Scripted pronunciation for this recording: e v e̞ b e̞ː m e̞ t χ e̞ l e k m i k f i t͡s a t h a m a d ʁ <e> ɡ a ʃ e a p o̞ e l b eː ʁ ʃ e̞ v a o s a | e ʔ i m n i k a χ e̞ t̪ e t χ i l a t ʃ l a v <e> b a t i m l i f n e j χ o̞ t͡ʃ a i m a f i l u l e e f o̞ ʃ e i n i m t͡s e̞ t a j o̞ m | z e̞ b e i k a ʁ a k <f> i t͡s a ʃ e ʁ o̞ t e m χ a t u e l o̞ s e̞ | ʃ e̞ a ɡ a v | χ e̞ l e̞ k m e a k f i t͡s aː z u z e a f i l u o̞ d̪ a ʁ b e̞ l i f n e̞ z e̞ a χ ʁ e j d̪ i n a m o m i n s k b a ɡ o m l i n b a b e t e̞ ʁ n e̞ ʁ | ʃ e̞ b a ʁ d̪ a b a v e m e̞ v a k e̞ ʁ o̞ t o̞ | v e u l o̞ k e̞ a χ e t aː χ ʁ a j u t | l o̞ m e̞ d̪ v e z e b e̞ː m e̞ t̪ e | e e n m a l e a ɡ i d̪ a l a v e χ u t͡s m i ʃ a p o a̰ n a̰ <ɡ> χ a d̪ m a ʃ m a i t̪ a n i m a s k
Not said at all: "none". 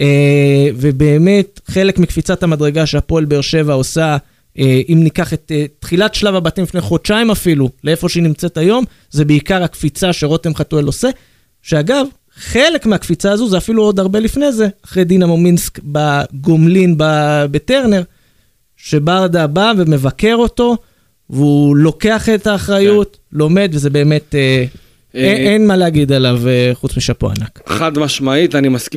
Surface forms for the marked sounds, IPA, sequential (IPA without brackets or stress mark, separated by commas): e, a, f, k